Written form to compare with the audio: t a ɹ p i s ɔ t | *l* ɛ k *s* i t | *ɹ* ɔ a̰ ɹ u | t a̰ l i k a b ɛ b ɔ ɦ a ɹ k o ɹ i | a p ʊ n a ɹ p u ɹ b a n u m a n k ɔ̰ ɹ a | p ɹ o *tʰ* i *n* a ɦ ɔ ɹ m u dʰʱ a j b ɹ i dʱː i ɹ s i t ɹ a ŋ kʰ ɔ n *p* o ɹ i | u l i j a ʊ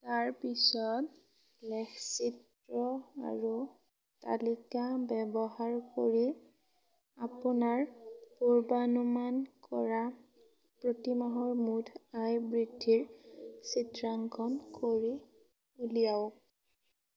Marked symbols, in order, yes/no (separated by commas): yes, yes, yes, no, no, no